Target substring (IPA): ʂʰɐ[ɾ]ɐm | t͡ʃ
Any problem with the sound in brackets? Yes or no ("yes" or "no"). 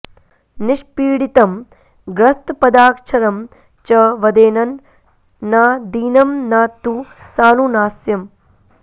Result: no